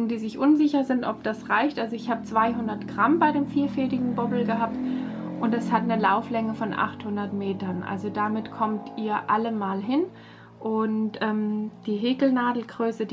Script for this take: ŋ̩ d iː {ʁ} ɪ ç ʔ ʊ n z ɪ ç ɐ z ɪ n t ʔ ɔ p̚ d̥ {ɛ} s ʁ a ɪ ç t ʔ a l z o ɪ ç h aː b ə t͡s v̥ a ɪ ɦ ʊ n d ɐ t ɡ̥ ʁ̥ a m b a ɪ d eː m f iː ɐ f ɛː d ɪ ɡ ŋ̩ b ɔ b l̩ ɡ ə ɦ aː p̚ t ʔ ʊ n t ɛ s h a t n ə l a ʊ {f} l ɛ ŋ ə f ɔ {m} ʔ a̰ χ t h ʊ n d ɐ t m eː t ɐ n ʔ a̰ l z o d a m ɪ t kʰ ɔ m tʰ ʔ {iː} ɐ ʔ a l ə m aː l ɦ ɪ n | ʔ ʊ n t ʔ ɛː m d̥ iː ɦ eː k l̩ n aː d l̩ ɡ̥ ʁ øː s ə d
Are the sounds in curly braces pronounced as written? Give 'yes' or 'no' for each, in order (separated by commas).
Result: no, no, yes, no, yes